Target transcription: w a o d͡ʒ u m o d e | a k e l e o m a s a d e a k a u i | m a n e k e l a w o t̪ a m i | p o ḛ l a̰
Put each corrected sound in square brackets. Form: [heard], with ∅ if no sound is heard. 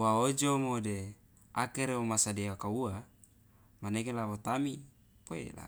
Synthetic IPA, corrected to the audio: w a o d͡ʒ [o] m o d e | a k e [ɾ] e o m a s a d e a k a u [a] | m a n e k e l a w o t̪ a m i | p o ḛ l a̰